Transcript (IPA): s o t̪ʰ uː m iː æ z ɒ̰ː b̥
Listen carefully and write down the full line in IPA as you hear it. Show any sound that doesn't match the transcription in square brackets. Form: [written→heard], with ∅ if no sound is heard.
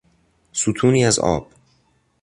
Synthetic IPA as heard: s [o→u] t̪ʰ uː [m→n] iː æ z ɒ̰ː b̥

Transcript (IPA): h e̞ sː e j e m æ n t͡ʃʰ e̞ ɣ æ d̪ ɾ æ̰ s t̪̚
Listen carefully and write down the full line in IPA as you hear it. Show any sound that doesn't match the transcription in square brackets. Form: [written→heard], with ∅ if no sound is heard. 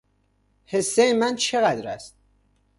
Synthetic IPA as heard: h e̞ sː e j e m æ n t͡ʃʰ e̞ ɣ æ d̪ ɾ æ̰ s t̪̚

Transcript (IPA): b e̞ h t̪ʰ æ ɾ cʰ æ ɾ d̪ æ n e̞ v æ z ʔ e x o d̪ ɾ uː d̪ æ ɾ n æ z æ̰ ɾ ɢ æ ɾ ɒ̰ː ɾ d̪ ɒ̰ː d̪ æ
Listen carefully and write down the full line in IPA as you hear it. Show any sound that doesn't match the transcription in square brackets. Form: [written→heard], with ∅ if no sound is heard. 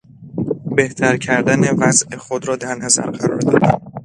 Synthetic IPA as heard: b e̞ h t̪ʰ æ ɾ cʰ æ ɾ d̪ æ n e̞ v æ z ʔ e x o d̪ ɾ [uː→ɒː] d̪ æ ɾ n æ z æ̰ ɾ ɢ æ ɾ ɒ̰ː ɾ d̪ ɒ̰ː d̪ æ

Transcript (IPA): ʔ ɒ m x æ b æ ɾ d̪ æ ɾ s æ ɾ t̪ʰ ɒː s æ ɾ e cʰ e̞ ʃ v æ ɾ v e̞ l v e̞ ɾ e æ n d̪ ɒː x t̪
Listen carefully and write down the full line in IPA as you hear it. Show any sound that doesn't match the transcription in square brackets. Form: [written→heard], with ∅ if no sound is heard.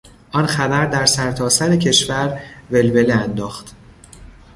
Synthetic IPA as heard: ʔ ɒ [m→n] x æ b æ ɾ d̪ æ ɾ s æ ɾ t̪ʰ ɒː s æ ɾ e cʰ e̞ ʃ v æ ɾ v e̞ l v e̞ [ɾ→l] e æ n d̪ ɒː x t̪

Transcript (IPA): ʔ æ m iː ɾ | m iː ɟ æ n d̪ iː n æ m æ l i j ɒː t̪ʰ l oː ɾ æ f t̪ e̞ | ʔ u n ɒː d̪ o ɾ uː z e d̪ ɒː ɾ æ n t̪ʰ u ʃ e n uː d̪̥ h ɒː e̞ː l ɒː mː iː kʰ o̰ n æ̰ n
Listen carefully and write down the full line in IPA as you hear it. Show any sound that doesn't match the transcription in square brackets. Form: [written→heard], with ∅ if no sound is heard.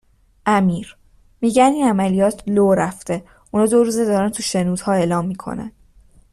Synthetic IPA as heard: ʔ æ m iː ɾ | m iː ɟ æ n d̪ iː n æ m æ l i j ɒː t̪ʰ l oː ɾ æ f t̪ e̞ | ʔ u n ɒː d̪ o ɾ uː z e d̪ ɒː ɾ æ n t̪ʰ u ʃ e n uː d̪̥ h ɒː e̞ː l ɒː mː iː kʰ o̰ n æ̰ n

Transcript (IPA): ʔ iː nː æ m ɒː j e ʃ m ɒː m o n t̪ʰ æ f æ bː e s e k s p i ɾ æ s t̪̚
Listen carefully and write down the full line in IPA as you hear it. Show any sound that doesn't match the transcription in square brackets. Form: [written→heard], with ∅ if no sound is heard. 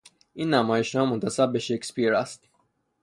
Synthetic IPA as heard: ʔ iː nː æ m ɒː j e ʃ [m→n] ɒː m o n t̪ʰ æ [f→s] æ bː e [s→ʃ] e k s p i ɾ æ s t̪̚

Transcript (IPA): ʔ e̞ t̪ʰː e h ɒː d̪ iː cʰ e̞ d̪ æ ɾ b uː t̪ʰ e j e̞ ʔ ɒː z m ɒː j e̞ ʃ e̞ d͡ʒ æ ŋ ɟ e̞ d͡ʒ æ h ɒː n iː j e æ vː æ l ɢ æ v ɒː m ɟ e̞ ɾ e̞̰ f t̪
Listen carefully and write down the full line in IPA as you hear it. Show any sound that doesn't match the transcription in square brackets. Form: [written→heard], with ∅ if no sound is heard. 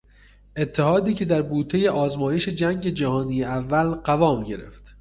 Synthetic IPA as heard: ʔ e̞ t̪ʰː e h ɒː d̪ iː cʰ e̞ d̪ æ ɾ b uː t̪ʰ e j e̞ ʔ ɒː z m ɒː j e̞ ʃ e̞ d͡ʒ æ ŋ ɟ e̞ d͡ʒ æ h ɒː n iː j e æ vː æ l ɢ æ v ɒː m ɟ e̞ ɾ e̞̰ f t̪

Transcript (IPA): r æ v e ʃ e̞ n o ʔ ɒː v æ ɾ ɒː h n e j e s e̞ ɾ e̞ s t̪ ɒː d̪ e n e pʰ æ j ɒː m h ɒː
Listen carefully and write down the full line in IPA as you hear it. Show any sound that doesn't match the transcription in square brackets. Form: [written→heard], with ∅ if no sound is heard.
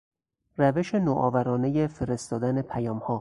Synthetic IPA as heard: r æ v e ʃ e̞ n o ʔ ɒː v æ ɾ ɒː [h→∅] n e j e [s→f] e̞ ɾ e̞ s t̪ ɒː d̪ [e→æ] n e pʰ æ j ɒː m h ɒː

